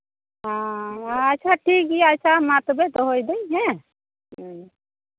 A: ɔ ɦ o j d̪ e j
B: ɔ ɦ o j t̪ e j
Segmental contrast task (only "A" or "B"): A